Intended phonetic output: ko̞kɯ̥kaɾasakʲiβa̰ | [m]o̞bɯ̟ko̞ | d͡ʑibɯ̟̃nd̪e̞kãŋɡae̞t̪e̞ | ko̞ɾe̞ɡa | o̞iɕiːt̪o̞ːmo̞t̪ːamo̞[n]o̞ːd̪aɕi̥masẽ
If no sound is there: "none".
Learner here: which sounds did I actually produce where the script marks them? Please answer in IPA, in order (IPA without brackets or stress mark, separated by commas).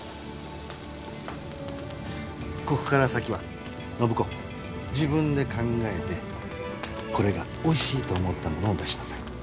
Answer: n, n